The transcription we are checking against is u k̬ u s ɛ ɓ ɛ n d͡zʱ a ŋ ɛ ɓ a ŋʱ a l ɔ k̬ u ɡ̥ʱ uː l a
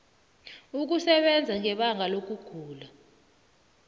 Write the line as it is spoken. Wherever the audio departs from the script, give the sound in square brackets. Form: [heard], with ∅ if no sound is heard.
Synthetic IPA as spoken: u k̬ u s ɛ ɓ ɛ n d͡zʱ a ŋ ɛ ɓ a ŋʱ a l [o] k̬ u ɡ̥ʱ uː l a